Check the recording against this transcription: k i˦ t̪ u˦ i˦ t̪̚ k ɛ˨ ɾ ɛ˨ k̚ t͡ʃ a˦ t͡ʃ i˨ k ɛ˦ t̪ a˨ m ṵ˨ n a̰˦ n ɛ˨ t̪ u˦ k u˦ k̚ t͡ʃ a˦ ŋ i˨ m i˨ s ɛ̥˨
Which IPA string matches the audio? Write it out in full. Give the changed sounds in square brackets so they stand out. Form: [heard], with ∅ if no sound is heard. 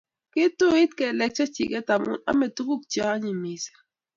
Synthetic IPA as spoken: k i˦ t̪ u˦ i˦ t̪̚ k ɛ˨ [l] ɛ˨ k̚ t͡ʃ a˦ t͡ʃ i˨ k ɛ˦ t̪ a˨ m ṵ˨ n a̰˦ [m] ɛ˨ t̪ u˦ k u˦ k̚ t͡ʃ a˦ [ɲ] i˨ m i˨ s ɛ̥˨